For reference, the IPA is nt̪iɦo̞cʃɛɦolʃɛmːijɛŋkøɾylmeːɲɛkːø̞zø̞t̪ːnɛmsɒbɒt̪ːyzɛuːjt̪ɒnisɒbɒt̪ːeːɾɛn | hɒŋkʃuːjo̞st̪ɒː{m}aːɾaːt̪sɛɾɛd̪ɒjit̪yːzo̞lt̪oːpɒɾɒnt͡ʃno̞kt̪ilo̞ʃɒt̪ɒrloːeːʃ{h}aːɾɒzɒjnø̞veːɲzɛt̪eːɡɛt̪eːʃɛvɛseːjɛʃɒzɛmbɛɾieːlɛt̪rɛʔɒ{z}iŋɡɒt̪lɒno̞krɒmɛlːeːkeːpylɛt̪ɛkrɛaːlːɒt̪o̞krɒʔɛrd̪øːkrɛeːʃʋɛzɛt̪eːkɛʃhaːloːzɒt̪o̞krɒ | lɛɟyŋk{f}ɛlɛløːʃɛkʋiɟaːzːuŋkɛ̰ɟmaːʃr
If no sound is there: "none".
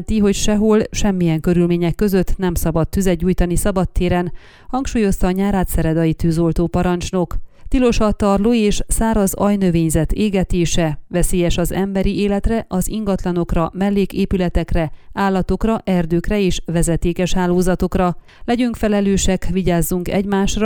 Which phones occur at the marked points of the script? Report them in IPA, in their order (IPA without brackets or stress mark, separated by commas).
ɲ, s, z, f